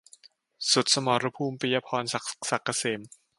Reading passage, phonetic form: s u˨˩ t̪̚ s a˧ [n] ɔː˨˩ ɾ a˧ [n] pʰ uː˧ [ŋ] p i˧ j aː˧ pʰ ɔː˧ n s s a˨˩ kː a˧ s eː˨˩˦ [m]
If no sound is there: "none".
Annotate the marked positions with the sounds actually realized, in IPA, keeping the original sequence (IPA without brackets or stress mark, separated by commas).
m, none, m, m